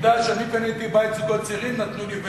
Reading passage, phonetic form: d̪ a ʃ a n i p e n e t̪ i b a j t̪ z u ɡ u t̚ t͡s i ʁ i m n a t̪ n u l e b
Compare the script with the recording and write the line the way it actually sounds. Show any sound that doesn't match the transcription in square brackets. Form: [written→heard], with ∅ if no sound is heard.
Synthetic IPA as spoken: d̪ a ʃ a n i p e n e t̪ i b a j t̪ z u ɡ [u→o] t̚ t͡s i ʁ i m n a t̪ n u l [e→i] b